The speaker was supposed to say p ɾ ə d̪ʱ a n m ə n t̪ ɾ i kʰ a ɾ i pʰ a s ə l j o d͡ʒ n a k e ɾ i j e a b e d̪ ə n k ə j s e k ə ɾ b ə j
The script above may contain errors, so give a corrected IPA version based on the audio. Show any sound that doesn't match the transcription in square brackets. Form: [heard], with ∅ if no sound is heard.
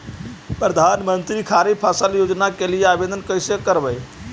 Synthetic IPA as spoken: p ɾ ə d̪ʱ a n m ə n t̪ ɾ i kʰ a ɾ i pʰ a s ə l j o d͡ʒ n a k e [l] i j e a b e d̪ ə n k ə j s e k ə ɾ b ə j